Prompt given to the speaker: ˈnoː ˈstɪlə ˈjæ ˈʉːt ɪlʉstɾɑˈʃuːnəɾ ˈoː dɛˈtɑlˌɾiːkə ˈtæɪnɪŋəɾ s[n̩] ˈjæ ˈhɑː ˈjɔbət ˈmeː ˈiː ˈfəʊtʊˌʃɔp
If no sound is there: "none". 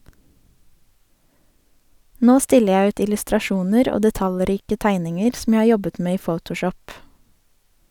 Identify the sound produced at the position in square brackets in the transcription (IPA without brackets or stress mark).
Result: m̩